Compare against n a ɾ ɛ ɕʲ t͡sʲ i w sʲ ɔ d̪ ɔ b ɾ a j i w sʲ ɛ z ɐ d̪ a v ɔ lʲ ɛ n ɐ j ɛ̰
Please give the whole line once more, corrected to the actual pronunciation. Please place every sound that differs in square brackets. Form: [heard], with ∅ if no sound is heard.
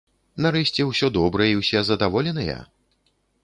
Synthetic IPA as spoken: n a ɾ ɛ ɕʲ t͡sʲ [ɛ] w sʲ ɔ d̪ ɔ b ɾ [ɐ] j i w sʲ ɛ z ɐ d̪ a v ɔ lʲ ɛ n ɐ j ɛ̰